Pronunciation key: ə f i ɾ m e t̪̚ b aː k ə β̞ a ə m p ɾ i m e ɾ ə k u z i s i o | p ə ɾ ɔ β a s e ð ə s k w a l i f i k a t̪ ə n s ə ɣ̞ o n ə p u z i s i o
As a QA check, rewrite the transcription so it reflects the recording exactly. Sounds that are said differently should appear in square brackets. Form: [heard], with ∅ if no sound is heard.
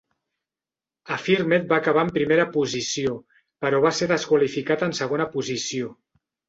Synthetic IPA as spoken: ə f i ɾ m e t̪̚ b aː k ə β̞ a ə m p ɾ i m e ɾ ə [p] u z i s i o | p ə ɾ ɔ β a s e ð ə s k w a l i f i k a t̪ ə n s ə ɣ̞ o n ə p u z i s i o